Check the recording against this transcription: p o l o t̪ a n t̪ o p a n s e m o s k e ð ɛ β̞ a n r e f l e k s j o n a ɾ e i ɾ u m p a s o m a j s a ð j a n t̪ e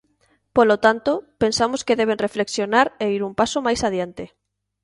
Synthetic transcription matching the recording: p o l o t̪ a n t̪ o p e n s a m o s k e ð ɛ β̞ e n r e f l e k s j o n a ɾ e i ɾ u m p a s o m a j s a ð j a n t̪ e